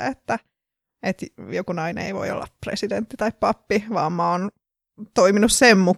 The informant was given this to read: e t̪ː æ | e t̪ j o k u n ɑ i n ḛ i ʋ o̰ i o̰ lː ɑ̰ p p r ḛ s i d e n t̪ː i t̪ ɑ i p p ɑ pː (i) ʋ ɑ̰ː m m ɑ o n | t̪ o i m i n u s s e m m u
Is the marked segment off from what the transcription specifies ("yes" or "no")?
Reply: no